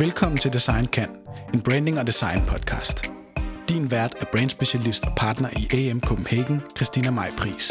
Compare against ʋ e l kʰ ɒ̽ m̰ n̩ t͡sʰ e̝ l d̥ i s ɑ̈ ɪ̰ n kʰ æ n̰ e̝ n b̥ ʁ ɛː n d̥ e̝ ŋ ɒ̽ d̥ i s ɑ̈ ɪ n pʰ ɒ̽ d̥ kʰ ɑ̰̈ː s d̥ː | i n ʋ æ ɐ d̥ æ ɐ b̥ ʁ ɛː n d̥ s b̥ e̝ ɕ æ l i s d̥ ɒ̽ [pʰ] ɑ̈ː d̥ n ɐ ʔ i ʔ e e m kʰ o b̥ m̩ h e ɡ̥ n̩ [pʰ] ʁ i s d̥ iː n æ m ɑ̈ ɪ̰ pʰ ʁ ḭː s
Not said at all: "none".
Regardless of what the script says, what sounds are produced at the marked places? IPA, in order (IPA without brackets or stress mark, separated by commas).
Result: pʰ, kʰ